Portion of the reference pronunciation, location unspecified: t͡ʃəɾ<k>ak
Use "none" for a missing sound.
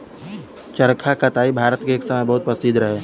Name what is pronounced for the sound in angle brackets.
kʰ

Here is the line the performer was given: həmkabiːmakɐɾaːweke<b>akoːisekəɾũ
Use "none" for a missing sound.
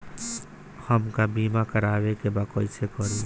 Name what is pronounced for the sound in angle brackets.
b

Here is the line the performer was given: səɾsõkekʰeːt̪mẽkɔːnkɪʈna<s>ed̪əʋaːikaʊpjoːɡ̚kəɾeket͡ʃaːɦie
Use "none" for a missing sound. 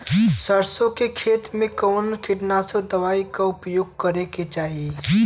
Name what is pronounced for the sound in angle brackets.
s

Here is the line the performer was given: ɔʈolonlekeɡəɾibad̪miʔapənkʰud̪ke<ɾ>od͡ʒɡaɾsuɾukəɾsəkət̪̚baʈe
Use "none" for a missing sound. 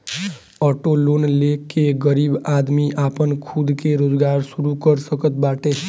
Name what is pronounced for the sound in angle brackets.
ɾ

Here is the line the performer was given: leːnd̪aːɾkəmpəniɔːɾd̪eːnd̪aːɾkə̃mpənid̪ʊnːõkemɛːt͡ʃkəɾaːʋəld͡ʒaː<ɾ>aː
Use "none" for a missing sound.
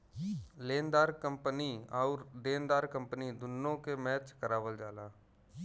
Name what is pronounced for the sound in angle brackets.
l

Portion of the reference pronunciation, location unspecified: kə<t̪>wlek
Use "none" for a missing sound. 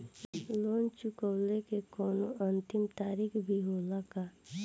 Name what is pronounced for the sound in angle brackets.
none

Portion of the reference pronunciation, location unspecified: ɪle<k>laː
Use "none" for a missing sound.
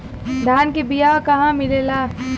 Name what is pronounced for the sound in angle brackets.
none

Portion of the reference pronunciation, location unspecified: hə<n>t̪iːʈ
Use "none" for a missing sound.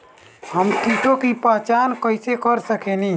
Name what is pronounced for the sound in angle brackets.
m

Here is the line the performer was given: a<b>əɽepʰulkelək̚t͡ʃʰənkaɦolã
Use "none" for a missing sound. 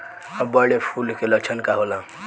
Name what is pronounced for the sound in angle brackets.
b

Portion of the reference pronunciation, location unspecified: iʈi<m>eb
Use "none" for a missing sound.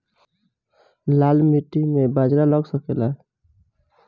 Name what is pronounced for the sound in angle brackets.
m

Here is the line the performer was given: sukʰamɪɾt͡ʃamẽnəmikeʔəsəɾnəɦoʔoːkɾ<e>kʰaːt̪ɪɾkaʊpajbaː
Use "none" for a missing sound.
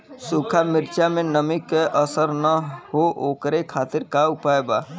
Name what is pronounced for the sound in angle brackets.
e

